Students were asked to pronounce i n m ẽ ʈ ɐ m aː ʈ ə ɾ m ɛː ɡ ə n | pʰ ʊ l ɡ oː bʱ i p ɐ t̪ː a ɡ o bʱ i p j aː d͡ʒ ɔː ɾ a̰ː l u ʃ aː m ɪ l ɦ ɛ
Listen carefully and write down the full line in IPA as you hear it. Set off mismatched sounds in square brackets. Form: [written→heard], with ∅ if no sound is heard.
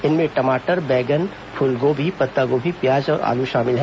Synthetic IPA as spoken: [i→ɪ] n m ẽ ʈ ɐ m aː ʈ ə ɾ [m→b] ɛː ɡ ə n | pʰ ʊ l ɡ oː bʱ i p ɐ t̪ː a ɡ o bʱ i p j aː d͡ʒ ɔː ɾ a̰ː l u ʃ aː m ɪ l ɦ ɛ